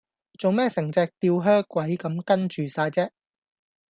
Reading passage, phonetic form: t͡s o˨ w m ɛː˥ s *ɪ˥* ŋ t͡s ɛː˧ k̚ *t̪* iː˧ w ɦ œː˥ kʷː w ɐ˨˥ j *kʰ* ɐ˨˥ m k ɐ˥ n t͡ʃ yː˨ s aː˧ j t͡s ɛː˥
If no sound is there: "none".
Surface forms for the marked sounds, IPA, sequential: ɪ˨˩, t̪, k

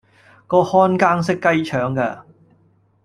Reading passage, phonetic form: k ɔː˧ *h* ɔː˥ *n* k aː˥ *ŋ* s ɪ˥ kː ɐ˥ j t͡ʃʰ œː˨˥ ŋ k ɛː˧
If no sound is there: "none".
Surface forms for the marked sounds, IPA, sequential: h, n, ŋ

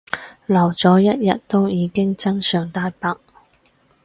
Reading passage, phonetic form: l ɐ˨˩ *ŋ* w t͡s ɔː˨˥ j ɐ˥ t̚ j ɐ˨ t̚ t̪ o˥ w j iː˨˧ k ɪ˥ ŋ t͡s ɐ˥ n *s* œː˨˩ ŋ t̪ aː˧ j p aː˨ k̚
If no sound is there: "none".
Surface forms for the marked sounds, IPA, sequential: none, s

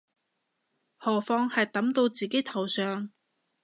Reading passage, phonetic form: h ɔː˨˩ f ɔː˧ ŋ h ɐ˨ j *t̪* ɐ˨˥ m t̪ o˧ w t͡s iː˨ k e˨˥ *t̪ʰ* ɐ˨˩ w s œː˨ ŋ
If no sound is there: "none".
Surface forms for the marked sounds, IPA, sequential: t̪, t̪ʰ

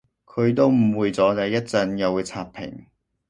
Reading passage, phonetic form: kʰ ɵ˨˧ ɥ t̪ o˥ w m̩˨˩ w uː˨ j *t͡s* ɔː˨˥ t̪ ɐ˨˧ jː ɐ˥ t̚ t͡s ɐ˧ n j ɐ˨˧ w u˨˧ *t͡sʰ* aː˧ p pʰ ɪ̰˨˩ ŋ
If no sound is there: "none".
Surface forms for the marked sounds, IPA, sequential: t͡s, t͡sʰ

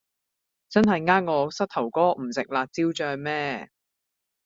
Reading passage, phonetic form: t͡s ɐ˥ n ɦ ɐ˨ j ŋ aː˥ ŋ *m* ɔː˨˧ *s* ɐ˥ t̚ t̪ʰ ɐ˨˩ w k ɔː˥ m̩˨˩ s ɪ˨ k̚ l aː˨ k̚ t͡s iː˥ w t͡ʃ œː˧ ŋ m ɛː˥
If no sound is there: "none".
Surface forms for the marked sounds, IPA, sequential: ŋ, s

